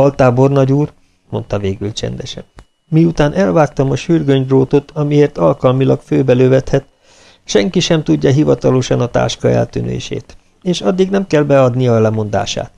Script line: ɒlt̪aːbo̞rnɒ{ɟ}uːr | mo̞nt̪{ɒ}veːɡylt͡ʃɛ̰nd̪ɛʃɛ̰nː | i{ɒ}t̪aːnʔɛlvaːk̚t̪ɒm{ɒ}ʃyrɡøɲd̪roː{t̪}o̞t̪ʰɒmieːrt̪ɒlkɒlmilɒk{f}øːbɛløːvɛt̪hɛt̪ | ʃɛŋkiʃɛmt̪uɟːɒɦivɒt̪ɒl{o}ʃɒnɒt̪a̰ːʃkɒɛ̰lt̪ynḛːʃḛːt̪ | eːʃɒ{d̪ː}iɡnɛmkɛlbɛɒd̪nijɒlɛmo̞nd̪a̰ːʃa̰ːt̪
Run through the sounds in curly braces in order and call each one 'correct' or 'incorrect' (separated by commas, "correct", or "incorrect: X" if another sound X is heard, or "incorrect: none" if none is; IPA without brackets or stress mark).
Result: correct, correct, incorrect: u, correct, correct, correct, correct, correct